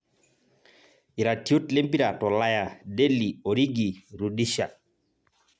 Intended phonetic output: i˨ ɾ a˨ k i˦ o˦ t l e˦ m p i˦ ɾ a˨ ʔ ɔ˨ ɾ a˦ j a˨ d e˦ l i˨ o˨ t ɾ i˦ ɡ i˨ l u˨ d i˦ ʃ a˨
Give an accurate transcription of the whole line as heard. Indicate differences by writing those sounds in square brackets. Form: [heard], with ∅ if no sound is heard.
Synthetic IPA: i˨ ɾ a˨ [t] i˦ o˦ t l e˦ m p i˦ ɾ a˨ [t] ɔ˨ [l] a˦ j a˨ d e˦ l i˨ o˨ [∅] ɾ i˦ ɡ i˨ [ɾ] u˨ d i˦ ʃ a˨